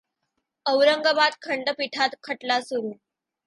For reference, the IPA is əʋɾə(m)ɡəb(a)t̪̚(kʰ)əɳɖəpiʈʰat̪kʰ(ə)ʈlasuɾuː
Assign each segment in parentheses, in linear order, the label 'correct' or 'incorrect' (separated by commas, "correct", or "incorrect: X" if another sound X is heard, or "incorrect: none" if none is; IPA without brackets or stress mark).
incorrect: ŋ, correct, correct, correct